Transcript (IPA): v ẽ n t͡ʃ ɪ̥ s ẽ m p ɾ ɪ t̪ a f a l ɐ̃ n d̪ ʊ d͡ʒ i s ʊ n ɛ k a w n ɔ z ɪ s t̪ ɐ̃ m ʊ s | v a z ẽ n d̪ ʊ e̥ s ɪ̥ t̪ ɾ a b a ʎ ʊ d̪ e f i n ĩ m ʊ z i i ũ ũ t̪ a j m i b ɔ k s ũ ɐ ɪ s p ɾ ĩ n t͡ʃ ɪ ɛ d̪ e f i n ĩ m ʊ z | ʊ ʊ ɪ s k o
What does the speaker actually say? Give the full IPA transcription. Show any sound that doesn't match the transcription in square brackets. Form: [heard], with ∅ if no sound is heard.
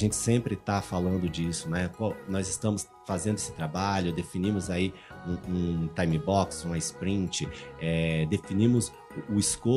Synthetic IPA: [ʒ] ẽ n t͡ʃ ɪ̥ s ẽ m p ɾ ɪ t̪ a f a l ɐ̃ n d̪ ʊ d͡ʒ i s ʊ n ɛ k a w n ɔ z ɪ s t̪ ɐ̃ m ʊ s | [f] a z ẽ n d̪ ʊ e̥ s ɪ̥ t̪ ɾ a b a ʎ ʊ d̪ e f i n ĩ m ʊ z [a] i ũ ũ t̪ a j m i b ɔ k s ũ ɐ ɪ s p ɾ ĩ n t͡ʃ ɪ ɛ d̪ e f i n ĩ m ʊ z | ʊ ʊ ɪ s k o